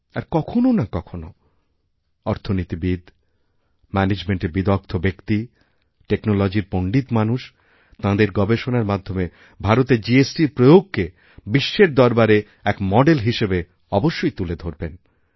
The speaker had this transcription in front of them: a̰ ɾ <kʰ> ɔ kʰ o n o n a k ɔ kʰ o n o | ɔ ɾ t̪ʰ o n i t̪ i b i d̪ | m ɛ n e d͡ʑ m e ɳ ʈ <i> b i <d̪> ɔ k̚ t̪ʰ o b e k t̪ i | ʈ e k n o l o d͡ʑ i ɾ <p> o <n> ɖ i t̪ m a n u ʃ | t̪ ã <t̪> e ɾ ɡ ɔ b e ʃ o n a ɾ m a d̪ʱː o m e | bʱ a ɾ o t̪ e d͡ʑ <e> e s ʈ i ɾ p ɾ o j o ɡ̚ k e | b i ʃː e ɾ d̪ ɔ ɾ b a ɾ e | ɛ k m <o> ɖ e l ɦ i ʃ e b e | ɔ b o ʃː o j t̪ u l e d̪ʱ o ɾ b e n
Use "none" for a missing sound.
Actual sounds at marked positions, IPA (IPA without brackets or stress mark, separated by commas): k, e, d̪, p, ɳ, d̪, i, ɔ